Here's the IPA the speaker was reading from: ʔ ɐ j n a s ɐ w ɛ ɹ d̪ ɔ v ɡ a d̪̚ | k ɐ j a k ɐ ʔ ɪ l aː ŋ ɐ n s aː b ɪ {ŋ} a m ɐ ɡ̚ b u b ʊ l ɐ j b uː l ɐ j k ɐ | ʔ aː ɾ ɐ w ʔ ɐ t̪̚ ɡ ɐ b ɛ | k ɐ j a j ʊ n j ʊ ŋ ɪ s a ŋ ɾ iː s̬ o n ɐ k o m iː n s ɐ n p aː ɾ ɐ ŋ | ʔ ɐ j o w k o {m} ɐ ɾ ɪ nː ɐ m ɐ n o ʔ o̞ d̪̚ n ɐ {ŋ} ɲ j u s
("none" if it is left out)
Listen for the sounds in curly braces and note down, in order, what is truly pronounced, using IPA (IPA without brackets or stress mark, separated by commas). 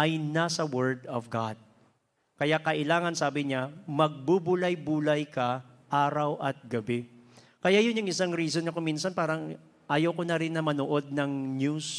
ɲ, n, ŋ